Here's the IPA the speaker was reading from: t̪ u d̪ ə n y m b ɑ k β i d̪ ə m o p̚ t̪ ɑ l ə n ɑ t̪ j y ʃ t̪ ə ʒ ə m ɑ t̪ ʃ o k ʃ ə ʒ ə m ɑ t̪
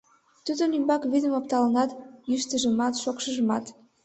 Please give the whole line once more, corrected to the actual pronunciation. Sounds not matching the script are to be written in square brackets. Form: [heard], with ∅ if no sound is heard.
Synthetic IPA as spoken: t̪ u d̪ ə n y m b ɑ k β i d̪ ə m o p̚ t̪ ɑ l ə n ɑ t̪ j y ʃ t̪ ə ʒ ə m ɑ t̪ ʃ o k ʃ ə ʒ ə m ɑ t̪